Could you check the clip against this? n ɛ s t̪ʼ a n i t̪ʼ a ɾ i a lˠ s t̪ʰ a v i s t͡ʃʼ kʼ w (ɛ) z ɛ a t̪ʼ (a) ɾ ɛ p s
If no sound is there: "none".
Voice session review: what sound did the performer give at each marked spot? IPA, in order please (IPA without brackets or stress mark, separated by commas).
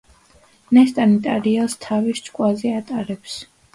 a, a